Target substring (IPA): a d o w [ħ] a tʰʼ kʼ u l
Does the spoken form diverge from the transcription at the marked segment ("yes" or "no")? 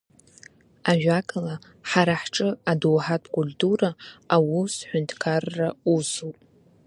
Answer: no